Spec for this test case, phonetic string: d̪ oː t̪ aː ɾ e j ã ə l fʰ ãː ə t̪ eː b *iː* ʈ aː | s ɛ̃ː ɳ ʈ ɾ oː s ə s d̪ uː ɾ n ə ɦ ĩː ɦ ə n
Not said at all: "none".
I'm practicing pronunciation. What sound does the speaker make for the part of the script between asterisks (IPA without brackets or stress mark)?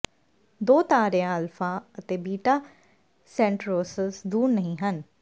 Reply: iː